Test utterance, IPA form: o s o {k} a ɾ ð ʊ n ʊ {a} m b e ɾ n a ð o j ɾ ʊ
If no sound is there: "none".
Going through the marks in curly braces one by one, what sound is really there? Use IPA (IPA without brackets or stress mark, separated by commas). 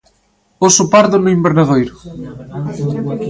p, i